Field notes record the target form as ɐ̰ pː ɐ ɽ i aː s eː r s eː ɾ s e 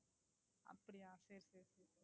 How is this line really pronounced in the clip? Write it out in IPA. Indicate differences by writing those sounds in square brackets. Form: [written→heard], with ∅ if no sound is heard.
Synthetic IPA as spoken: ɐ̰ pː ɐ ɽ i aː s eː [r→ɾ] s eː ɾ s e